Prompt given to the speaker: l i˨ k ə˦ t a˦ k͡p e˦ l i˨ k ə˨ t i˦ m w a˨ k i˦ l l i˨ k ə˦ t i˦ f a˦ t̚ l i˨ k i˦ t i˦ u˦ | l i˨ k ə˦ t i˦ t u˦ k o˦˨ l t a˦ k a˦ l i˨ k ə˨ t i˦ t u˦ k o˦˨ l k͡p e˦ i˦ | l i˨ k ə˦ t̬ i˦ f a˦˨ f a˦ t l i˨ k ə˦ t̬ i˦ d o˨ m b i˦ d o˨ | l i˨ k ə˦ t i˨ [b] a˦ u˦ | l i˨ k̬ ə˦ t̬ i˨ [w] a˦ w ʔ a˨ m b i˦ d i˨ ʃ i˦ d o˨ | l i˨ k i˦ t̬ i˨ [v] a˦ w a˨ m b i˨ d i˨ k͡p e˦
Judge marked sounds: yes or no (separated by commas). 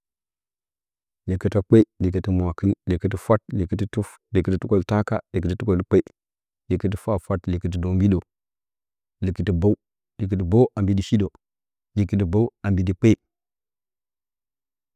yes, no, no